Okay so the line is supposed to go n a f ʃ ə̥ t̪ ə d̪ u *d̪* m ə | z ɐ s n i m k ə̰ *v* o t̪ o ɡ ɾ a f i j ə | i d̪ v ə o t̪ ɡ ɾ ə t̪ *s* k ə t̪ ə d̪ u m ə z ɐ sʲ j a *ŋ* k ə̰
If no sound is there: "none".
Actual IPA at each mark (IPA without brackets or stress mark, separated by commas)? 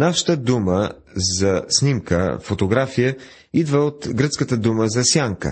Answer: none, f, s, ŋ